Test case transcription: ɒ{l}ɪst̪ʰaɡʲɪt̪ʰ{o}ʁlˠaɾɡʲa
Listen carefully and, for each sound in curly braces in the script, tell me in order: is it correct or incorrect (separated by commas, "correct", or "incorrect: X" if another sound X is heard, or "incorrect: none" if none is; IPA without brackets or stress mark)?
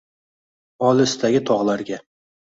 correct, incorrect: ɒ